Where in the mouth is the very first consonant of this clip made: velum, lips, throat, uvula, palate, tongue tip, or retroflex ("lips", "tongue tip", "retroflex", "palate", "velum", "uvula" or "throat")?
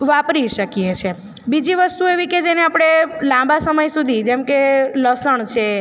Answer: lips